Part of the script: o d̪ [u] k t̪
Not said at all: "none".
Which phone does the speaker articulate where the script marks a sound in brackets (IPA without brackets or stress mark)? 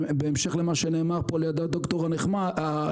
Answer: o